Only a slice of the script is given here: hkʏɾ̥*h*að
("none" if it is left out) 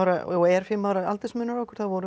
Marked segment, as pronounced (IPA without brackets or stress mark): θ